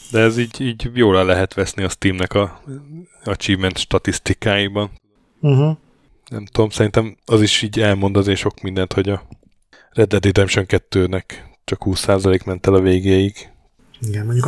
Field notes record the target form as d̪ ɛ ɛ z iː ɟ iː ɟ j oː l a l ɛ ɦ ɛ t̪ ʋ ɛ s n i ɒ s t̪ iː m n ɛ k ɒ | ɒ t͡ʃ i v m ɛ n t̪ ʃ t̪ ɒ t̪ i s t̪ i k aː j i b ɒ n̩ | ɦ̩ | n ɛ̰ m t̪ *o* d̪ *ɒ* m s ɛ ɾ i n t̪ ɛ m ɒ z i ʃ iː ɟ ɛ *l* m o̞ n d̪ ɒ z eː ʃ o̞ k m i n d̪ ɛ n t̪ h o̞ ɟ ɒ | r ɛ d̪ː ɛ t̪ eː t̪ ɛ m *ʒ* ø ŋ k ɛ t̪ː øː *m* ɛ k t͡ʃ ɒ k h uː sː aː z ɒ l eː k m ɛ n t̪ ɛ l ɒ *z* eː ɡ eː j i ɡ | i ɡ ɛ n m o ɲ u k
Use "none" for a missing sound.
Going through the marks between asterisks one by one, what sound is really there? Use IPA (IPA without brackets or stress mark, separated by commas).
u, o, l, ʃ, n, v